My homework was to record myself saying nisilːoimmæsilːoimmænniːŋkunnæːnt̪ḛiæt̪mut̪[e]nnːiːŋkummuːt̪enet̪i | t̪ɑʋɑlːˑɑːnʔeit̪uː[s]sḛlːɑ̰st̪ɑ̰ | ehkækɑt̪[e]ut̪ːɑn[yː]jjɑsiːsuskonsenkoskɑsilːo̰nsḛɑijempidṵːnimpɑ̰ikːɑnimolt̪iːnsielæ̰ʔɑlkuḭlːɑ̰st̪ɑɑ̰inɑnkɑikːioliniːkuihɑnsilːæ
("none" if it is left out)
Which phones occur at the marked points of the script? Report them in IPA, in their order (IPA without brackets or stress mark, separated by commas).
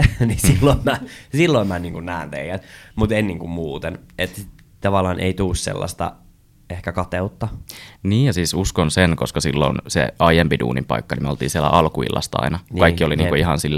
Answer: e, s, e, iː